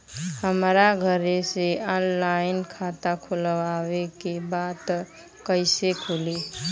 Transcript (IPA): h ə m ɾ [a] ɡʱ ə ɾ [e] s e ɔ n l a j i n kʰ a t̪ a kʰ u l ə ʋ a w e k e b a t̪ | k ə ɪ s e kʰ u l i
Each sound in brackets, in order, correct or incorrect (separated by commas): correct, correct